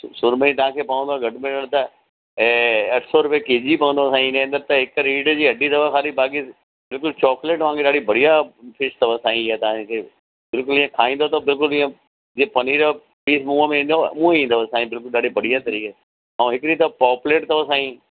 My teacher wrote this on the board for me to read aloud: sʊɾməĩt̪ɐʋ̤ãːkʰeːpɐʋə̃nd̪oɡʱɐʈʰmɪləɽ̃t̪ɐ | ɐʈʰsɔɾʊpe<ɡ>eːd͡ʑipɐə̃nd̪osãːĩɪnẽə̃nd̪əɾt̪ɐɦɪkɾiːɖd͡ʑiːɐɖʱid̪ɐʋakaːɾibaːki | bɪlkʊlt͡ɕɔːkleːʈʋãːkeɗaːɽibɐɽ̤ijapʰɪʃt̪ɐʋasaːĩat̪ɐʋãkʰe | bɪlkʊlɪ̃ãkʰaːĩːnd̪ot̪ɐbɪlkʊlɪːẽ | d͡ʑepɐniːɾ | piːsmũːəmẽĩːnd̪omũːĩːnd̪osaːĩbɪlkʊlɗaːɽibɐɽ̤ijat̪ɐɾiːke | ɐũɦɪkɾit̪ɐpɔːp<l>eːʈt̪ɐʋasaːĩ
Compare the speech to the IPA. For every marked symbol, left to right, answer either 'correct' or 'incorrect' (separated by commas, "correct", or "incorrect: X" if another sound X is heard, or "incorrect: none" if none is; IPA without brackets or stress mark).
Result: incorrect: k, correct